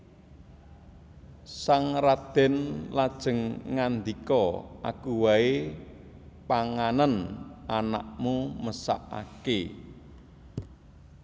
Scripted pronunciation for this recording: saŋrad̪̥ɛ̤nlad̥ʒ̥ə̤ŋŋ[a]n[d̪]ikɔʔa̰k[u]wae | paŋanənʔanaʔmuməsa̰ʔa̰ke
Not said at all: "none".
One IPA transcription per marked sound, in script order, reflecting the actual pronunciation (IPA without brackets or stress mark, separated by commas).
a, d̪, u